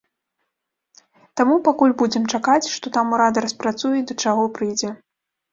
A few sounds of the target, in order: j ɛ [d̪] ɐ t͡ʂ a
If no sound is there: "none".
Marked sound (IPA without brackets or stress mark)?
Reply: d̪